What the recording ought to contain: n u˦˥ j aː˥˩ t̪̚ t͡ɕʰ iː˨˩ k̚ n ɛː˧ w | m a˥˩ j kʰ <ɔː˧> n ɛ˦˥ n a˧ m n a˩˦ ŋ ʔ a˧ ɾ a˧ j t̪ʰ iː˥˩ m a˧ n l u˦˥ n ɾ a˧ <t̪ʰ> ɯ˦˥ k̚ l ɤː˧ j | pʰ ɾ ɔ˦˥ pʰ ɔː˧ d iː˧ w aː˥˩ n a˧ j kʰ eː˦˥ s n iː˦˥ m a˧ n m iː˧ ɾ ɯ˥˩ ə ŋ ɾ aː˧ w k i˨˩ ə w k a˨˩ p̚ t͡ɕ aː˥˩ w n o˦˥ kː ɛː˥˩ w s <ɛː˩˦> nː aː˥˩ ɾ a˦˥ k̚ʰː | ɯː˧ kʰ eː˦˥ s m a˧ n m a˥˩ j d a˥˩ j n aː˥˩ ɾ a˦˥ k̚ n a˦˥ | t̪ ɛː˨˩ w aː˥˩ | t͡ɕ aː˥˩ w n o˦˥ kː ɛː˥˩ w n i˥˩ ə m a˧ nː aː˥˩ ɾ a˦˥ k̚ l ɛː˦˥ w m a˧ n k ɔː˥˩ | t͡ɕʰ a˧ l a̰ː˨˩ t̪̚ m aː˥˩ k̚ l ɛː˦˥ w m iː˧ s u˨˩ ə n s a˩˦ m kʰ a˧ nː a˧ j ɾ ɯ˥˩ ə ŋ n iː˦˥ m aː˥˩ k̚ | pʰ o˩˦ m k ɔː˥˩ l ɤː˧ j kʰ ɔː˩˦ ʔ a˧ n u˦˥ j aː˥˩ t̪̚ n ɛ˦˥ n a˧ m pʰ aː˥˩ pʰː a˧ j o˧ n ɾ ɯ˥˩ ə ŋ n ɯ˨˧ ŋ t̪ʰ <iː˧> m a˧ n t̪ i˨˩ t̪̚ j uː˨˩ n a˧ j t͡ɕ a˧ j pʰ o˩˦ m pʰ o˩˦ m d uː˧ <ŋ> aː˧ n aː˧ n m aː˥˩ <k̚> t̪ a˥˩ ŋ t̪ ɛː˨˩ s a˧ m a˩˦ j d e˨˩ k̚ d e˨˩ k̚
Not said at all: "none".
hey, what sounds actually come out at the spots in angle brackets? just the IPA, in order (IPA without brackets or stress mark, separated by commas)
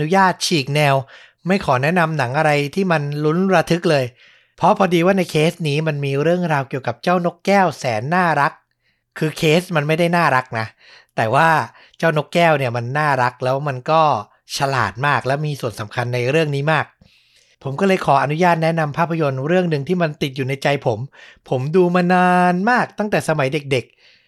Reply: ɔː˩˦, t̪ʰ, ɛː˩˦, iː˥˩, m, k̚